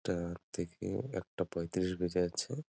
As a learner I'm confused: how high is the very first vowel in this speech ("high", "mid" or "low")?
low